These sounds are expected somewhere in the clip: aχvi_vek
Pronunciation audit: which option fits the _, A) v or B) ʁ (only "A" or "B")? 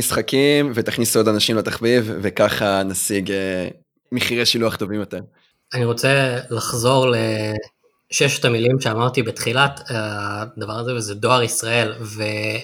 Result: A